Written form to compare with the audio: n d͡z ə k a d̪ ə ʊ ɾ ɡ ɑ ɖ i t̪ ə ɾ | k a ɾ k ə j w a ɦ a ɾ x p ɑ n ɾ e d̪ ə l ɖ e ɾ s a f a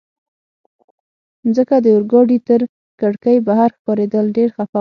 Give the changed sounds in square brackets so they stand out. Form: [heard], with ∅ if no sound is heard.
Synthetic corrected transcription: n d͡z ə k a d̪ ə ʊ ɾ ɡ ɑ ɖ i t̪ ə ɾ | k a [ɽ] k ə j [b] a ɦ a ɾ x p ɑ [∅] ɾ e d̪ ə l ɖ e ɾ [x] a f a